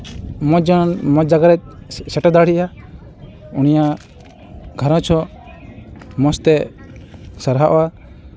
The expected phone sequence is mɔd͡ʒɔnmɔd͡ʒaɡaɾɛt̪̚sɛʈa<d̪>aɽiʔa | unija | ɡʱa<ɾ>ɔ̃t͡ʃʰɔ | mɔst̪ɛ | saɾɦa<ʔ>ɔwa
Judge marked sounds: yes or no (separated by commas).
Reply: yes, yes, yes